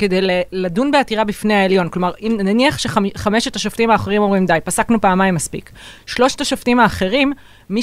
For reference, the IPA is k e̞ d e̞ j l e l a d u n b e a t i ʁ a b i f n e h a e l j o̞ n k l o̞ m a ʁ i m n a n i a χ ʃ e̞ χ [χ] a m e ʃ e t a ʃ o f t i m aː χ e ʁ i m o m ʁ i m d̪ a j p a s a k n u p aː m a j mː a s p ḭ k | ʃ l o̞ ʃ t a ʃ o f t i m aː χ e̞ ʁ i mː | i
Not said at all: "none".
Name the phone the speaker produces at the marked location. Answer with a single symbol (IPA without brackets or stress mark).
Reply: χ